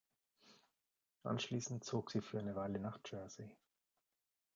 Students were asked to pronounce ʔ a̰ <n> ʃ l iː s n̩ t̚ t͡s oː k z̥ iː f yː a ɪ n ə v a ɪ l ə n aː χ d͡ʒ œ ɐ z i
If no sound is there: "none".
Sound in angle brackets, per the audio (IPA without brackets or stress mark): n